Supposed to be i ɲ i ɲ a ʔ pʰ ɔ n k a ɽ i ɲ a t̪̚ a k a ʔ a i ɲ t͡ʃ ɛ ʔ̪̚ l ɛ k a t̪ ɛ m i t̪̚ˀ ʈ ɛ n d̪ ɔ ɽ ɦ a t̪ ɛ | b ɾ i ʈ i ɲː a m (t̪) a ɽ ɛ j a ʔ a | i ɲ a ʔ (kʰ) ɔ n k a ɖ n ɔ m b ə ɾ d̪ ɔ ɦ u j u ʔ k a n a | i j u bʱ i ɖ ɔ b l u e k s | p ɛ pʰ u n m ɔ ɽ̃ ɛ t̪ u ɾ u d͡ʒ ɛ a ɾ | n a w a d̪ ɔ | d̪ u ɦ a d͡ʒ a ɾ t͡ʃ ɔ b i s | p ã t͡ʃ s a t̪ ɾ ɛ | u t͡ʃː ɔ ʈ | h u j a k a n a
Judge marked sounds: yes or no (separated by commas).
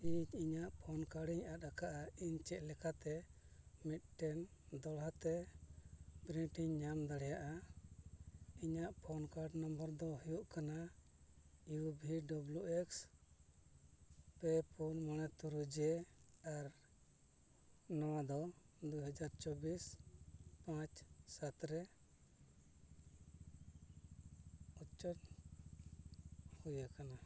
no, no